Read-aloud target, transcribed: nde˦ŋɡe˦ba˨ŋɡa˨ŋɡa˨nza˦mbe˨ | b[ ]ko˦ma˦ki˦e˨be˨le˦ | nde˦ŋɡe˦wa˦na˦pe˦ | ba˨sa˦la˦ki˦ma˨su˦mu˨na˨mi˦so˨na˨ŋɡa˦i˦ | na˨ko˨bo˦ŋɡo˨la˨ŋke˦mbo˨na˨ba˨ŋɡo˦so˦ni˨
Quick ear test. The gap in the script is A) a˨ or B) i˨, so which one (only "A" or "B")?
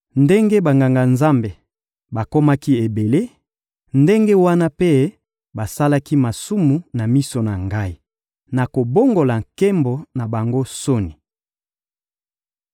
A